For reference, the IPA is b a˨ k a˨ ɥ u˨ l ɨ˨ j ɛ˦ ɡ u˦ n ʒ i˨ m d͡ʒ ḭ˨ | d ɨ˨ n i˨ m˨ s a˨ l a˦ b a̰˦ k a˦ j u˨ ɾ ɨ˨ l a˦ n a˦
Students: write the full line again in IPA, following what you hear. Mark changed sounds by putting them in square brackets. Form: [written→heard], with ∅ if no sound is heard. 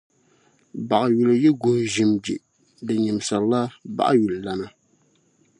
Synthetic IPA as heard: b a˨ [k→ʔ] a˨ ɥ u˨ l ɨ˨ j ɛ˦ ɡ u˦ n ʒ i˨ m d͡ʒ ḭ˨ | d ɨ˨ [n→ɲ] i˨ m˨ s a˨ l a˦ b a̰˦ [k→ʔ] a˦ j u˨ [ɾ→l] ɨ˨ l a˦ n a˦